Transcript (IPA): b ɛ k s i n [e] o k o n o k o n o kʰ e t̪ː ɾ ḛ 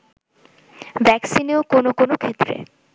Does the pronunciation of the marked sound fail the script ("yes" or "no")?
no